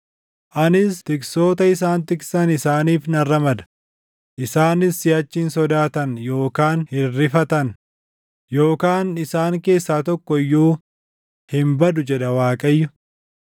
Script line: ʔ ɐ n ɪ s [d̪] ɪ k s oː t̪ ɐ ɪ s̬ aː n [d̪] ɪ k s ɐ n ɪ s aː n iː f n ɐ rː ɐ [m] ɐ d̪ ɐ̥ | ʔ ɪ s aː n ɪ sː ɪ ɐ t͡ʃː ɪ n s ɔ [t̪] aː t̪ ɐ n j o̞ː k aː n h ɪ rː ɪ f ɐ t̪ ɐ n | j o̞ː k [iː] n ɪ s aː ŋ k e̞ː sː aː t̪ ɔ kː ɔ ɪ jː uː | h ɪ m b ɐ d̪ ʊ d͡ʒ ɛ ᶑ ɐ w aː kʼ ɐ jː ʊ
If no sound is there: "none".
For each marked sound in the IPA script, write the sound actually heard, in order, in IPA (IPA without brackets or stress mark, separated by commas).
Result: t̪, t̪, m, d̪, aː